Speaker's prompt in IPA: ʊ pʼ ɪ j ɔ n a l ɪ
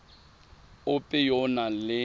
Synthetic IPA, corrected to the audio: ʊ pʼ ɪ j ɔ n a l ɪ

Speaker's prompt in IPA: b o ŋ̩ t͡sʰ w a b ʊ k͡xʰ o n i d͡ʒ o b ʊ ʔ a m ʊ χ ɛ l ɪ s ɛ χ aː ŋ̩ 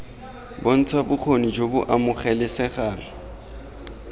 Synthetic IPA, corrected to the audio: b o n̩ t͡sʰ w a b ʊ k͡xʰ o n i d͡ʒ o b ʊ ʔ a m ʊ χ ɛ l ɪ s ɛ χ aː ŋ̩

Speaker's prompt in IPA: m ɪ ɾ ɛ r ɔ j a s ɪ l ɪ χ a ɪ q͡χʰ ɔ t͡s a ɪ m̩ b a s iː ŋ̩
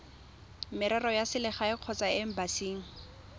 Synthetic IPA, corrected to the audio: m ɪ ɾ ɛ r ɔ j a s ɪ l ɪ χ a ɪ q͡χʰ ɔ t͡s a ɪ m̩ b a s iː ŋ̩

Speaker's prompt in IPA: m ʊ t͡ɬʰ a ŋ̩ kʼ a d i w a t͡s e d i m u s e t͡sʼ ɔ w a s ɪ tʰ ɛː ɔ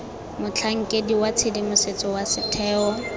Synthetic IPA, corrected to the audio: m ʊ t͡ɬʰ a ŋ̩ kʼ e d i w a t͡sʰ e d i m ʊ s e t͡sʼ ɔ w a s ɪ tʰ ɛː ɔ

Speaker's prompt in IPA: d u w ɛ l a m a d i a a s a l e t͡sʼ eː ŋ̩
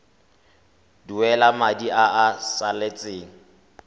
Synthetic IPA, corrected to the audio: d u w ɛ l a m a d i a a s a l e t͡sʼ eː ŋ̩

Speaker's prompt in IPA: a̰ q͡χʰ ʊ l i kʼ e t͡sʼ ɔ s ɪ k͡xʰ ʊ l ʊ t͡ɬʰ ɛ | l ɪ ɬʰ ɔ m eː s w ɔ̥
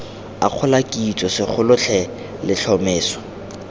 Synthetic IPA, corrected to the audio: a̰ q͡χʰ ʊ l a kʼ i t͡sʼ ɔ s ɪ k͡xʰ ʊ l ʊ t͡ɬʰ ɛ | l ɪ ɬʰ ɔ m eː s w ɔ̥

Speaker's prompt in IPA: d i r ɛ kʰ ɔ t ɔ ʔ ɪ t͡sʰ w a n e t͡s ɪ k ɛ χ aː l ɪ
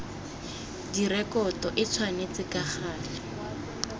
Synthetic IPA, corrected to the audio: d i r ɛ k ɔ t ɔ ʔ ɪ t͡sʰ w a n e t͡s ɪ k a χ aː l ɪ

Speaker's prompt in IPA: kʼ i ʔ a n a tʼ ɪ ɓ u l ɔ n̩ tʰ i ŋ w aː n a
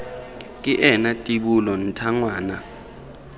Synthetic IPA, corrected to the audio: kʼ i ʔ ɛ n a tʼ i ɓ u l ɔ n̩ tʰ a ŋ w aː n a

